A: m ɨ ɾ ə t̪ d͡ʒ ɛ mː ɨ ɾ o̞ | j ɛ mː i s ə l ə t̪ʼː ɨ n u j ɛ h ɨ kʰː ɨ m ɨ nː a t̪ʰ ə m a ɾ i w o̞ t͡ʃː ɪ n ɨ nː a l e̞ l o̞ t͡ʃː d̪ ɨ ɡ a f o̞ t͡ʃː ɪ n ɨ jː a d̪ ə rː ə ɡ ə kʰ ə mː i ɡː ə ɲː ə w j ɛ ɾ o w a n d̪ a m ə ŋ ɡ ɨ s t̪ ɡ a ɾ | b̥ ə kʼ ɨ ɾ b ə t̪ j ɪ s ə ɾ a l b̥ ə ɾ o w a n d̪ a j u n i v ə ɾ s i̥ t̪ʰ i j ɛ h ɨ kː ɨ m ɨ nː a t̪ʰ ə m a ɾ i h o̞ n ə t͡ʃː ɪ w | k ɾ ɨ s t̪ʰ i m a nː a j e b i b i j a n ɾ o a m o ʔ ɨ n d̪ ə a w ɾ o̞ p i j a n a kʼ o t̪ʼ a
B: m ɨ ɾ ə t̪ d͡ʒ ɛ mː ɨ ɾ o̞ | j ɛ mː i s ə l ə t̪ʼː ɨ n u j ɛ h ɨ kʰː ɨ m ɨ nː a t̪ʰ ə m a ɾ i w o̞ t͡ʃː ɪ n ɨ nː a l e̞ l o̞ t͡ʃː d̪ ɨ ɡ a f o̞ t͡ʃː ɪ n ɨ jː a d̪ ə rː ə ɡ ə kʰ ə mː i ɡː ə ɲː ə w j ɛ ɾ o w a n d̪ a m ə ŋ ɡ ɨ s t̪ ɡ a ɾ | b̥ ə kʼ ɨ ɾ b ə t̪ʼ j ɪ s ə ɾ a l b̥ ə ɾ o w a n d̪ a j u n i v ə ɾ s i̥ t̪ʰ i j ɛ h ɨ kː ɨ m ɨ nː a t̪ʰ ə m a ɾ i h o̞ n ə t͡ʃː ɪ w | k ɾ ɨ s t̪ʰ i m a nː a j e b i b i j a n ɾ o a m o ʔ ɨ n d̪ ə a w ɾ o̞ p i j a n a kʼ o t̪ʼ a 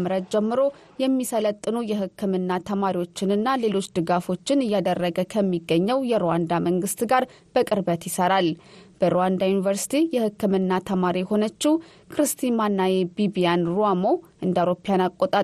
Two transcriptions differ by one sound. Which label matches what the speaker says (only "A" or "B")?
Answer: A